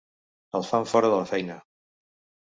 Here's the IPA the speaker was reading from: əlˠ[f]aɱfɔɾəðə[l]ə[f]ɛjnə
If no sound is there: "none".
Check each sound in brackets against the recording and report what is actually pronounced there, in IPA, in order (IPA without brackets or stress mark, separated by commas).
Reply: f, l, f